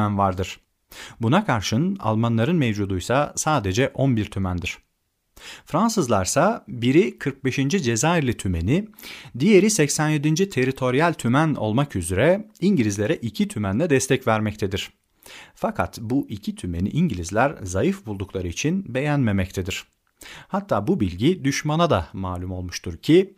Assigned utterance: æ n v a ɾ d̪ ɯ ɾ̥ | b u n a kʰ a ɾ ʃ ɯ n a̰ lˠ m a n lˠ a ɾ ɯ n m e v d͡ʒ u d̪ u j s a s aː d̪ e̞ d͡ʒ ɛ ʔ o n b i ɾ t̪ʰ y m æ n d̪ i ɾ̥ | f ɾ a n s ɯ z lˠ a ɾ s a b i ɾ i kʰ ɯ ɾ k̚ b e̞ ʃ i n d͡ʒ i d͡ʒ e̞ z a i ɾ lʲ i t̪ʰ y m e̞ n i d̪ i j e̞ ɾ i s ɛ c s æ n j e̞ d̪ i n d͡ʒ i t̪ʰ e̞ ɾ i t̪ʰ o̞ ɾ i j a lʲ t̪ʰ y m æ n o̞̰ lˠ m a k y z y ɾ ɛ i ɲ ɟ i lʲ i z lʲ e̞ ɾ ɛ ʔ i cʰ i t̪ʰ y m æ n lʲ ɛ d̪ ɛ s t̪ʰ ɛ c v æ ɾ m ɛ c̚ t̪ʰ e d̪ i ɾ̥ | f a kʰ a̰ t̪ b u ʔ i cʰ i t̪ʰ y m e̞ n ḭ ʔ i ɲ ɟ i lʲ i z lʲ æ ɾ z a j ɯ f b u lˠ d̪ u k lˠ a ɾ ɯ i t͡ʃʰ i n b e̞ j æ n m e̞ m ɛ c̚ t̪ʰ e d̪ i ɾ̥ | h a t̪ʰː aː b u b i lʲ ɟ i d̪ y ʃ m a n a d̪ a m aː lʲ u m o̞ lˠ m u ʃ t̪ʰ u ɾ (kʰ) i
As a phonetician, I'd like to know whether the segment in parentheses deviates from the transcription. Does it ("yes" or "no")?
yes